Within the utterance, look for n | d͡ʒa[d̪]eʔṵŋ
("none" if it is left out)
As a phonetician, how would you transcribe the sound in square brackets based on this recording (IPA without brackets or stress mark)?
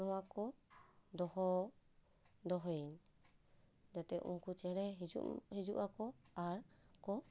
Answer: t̪